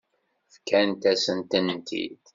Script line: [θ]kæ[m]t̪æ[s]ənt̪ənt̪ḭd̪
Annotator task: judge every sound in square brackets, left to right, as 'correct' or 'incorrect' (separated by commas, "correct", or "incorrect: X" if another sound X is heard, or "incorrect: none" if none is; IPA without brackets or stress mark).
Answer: incorrect: f, incorrect: n, correct